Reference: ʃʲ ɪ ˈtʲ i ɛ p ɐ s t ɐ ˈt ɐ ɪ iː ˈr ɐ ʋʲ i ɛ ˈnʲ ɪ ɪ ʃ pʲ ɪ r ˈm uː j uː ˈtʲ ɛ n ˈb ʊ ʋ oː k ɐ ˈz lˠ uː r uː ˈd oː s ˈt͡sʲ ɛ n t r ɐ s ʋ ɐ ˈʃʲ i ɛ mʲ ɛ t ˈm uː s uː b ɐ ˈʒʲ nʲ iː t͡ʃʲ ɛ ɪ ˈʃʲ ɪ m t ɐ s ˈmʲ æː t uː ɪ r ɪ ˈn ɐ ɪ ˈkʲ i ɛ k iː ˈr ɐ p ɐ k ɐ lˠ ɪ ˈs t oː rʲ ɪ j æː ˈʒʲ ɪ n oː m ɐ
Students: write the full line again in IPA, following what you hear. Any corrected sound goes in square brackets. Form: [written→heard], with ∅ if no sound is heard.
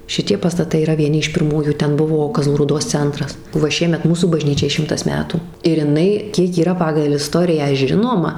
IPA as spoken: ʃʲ ɪ ˈtʲ i ɛ p ɐ s t ɐ ˈt ɐ ɪ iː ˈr ɐ ʋʲ i ɛ ˈnʲ ɪ ɪ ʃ pʲ ɪ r ˈm uː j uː ˈtʲ ɛ n ˈb ʊ ʋ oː k ɐ ˈz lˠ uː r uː ˈd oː s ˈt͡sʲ ɛ n t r ɐ s ʋ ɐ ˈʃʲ i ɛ mʲ ɛ t ˈm uː s uː b ɐ ˈʒʲ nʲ iː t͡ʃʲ ɛ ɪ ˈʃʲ ɪ m t ɐ s ˈmʲ æː t uː ɪ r ɪ ˈn ɐ ɪ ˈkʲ i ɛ k iː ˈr ɐ p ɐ [k→ɡ] ɐ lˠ ɪ ˈs t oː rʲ ɪ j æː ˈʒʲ ɪ n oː m ɐ